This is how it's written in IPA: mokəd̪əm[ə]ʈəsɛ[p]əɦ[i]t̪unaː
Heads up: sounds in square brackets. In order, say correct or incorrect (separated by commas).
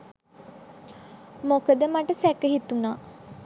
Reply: incorrect, incorrect, correct